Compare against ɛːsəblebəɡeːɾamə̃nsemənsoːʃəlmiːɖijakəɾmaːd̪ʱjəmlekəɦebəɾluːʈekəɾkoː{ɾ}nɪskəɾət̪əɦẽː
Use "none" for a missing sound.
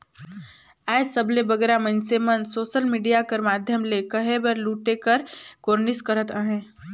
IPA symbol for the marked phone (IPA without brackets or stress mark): ɾ